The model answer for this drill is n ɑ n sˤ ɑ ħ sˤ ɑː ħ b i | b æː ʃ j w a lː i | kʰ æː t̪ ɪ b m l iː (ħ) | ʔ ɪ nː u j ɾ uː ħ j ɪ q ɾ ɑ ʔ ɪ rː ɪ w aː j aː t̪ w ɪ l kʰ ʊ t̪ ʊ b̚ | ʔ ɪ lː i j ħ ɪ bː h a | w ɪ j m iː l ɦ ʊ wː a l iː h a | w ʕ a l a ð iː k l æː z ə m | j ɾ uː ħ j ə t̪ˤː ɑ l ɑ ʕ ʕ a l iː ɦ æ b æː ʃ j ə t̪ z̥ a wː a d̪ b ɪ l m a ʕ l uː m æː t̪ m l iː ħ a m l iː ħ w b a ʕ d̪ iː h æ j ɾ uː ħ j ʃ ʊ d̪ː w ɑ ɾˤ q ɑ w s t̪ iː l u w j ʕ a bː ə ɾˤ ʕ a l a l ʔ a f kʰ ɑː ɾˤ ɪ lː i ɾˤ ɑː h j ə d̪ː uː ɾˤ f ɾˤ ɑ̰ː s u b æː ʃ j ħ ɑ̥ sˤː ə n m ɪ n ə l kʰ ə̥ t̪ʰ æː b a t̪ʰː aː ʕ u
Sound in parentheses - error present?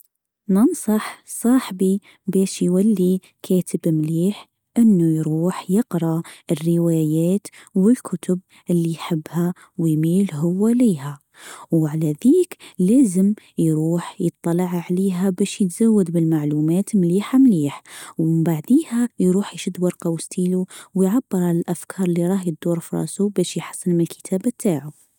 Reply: no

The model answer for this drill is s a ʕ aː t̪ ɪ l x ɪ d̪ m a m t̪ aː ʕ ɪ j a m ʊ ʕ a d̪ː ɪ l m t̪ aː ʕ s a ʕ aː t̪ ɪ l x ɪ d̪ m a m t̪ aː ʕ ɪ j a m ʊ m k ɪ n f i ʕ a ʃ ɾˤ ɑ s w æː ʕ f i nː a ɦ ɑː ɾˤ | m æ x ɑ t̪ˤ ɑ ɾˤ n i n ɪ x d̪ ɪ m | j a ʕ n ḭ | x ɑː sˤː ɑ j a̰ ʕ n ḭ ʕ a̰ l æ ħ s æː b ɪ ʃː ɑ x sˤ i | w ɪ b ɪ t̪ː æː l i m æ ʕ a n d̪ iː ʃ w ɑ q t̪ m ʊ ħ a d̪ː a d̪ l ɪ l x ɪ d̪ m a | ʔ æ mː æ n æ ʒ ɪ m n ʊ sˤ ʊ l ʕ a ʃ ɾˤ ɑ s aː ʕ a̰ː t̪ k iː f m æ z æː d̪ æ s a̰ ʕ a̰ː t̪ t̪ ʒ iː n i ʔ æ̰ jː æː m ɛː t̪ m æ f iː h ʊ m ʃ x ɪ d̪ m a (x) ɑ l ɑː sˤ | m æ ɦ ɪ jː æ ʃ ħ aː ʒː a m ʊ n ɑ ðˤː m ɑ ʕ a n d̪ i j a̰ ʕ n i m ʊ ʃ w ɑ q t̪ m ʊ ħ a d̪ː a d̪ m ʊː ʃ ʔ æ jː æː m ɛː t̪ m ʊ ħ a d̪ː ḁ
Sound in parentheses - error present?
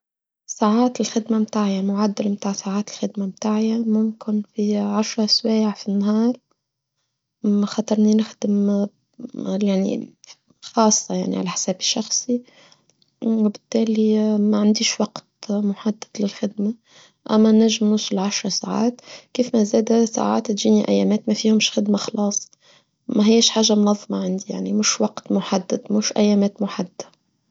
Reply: no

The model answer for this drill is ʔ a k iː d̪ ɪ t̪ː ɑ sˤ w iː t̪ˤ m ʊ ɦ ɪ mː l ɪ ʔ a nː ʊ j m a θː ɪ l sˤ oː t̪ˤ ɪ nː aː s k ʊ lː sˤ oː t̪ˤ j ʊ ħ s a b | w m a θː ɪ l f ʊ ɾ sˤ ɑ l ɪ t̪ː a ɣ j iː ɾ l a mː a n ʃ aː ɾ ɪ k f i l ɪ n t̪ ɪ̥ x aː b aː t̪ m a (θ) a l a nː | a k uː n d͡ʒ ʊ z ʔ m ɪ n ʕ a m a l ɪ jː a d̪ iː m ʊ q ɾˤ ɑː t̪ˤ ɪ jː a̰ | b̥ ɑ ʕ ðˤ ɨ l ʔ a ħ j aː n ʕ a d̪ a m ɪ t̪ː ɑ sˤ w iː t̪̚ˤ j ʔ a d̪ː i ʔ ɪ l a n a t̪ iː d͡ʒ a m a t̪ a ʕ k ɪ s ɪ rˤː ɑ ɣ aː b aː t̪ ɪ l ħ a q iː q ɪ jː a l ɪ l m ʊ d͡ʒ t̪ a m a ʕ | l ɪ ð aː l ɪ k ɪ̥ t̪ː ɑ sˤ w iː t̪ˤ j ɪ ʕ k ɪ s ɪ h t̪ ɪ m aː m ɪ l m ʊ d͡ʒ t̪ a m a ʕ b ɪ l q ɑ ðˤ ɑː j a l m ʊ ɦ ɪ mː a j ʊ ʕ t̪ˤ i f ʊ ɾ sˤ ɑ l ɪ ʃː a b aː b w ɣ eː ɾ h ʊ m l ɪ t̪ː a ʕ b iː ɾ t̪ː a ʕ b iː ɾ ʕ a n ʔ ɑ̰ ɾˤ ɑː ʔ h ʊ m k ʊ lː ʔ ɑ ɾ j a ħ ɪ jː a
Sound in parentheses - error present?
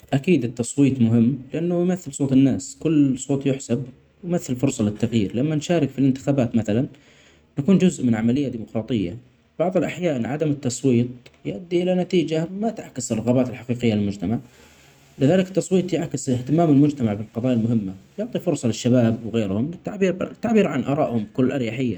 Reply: no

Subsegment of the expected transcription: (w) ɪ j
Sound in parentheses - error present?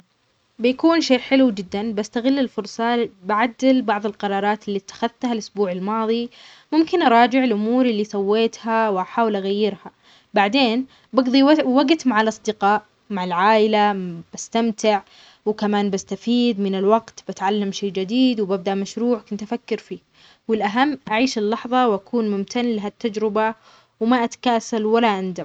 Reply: yes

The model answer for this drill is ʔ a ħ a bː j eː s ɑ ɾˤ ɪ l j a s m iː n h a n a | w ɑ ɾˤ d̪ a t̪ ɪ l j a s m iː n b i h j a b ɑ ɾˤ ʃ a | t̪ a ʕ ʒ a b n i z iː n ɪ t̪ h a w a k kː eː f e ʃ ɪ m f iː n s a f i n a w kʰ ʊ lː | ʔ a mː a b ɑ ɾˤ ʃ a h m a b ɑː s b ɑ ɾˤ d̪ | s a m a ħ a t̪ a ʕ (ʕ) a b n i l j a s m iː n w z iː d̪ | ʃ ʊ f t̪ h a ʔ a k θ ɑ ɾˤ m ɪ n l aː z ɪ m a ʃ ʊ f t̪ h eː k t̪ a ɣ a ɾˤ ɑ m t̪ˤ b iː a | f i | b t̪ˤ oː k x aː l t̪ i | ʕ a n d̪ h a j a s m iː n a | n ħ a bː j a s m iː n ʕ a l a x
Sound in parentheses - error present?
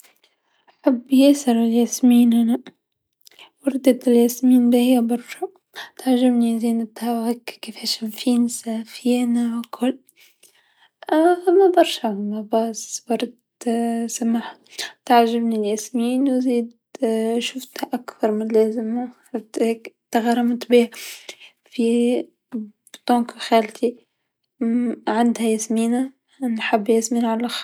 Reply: yes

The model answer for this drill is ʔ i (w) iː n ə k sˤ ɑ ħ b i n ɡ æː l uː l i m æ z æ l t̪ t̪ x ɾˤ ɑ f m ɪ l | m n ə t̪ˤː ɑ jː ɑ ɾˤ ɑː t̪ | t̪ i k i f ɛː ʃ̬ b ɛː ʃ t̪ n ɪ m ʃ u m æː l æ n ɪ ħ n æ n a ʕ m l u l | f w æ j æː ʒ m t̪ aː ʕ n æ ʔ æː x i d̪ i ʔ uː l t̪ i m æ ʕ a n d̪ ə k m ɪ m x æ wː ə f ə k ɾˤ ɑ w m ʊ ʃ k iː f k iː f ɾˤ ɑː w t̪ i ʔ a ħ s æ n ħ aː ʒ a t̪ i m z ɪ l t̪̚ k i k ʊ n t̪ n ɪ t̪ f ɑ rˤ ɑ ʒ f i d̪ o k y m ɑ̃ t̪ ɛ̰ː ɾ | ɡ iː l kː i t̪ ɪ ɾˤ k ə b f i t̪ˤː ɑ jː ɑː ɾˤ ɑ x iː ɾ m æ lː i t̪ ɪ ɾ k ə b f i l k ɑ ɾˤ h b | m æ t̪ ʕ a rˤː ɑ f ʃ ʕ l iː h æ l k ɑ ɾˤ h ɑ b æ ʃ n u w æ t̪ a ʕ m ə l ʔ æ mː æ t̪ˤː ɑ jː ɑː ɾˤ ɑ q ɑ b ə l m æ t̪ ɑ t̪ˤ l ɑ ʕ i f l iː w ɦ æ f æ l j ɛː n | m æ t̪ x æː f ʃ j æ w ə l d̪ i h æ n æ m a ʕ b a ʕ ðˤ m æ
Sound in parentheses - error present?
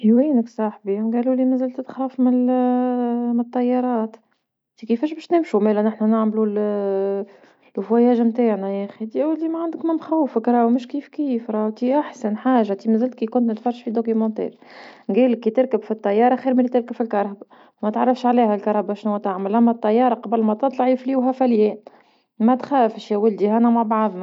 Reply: no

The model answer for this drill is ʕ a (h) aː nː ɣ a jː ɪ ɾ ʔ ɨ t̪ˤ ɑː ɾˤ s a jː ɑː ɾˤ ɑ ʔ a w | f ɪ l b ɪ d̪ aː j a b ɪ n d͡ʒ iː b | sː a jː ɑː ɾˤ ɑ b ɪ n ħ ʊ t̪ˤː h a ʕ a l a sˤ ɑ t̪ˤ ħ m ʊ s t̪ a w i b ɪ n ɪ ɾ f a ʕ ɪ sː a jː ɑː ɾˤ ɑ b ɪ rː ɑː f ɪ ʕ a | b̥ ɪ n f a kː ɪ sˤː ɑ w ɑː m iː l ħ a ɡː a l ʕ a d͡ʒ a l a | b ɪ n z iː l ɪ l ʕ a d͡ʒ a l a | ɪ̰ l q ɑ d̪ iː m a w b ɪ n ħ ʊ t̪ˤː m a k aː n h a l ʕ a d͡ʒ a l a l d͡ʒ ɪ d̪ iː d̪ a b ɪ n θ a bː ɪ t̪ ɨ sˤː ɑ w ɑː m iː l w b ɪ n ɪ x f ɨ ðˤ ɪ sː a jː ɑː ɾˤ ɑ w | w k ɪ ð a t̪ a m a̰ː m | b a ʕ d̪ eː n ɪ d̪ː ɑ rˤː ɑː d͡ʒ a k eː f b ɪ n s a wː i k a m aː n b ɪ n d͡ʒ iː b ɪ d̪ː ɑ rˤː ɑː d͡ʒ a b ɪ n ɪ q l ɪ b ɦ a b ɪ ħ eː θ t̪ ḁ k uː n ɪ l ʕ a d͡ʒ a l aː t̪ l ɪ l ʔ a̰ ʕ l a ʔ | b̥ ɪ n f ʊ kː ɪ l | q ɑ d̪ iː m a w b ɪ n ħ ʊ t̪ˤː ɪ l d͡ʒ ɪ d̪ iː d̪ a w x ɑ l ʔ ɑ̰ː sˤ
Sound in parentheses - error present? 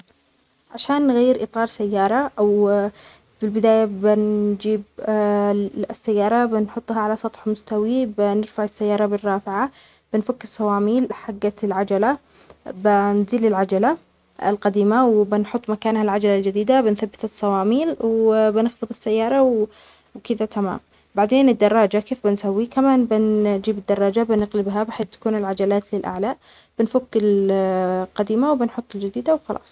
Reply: yes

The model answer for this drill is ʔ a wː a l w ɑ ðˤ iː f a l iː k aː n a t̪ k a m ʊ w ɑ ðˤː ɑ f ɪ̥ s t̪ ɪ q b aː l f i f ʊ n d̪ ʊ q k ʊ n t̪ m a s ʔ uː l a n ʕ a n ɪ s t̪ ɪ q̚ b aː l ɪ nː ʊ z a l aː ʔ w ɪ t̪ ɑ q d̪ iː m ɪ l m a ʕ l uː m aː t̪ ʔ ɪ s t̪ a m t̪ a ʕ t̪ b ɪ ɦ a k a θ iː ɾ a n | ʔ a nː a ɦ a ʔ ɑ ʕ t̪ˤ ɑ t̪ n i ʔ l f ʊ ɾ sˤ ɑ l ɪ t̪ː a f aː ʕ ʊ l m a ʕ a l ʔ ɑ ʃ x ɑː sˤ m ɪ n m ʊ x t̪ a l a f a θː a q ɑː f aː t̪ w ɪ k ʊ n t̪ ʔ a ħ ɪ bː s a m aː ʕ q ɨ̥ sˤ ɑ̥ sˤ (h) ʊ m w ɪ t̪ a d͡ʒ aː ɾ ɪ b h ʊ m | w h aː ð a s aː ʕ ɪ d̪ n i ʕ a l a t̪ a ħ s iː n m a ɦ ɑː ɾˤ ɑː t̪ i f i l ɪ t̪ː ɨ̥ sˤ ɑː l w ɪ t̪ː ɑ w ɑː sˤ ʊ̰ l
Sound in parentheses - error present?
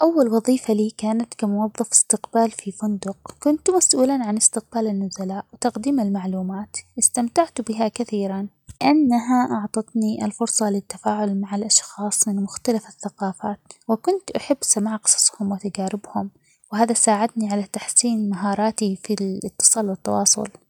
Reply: no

